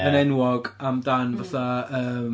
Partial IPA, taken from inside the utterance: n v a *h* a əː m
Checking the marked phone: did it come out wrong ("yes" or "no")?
yes